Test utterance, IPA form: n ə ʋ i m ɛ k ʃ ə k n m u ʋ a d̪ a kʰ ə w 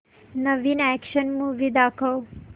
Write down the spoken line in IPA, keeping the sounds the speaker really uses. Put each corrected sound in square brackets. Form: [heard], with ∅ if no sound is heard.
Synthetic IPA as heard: n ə ʋ i [n] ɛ k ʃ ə [∅] n m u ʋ [i] d̪ a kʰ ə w